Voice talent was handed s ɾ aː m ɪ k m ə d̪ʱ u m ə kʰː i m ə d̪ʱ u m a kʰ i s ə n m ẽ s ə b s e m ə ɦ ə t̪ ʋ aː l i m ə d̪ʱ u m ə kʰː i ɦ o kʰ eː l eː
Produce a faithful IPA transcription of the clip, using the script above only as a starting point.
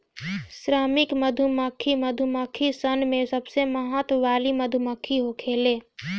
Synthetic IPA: s ɾ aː m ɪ k m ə d̪ʱ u m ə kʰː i m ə d̪ʱ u m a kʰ i s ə n m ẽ s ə b s e m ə ɦ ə t̪ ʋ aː l i m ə d̪ʱ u m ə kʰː i ɦ o kʰ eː l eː